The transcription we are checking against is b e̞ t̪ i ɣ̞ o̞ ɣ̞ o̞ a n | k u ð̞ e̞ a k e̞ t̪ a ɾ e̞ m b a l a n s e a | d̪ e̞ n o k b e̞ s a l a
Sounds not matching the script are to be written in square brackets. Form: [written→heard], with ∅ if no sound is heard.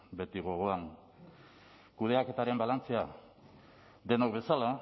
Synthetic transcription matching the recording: b e̞ t̪ i ɣ̞ o̞ ɣ̞ o̞ a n | k u ð̞ e̞ a k e̞ t̪ a ɾ e̞ m b a l a n [s→t͡s] e a | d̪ e̞ n o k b e̞ s a l a